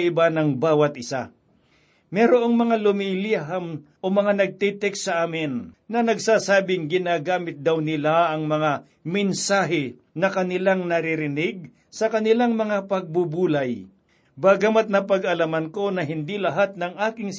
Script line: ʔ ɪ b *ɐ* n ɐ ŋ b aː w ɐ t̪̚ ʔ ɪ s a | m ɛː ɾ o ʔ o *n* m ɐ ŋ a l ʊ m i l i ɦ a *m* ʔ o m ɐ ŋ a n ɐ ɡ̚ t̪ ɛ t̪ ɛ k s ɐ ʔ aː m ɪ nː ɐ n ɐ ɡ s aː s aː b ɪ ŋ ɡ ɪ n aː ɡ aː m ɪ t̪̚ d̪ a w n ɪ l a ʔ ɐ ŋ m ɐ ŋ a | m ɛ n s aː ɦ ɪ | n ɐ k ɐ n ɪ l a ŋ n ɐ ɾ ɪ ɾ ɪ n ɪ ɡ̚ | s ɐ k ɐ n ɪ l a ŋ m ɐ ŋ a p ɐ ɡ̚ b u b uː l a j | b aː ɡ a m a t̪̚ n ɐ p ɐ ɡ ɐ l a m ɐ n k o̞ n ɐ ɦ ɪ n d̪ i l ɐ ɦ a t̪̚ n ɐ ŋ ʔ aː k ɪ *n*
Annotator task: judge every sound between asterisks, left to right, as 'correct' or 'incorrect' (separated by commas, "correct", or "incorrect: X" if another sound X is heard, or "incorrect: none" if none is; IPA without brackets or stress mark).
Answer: incorrect: a, incorrect: ŋ, correct, incorrect: ŋ